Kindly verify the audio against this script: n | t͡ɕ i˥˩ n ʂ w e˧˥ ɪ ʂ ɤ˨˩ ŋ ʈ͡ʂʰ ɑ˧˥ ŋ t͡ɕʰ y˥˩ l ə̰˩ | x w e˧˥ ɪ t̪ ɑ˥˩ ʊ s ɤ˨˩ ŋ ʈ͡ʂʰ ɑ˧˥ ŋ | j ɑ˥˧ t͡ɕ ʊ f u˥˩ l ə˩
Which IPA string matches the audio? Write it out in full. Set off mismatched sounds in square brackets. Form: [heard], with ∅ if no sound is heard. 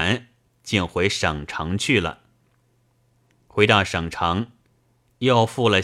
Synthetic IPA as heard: n | t͡ɕ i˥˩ n [x] w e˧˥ ɪ ʂ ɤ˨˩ ŋ ʈ͡ʂʰ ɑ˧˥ ŋ t͡ɕʰ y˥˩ l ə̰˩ | x w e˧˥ ɪ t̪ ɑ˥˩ ʊ [ʂ] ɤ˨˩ ŋ ʈ͡ʂʰ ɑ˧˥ ŋ | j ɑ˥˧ [∅] ʊ f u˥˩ l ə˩